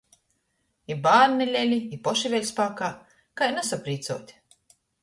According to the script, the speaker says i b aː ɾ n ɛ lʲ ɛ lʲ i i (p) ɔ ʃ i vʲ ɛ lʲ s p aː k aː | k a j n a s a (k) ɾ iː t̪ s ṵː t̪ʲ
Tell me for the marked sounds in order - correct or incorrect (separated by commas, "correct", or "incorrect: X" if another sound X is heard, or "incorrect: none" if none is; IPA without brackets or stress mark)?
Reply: correct, incorrect: p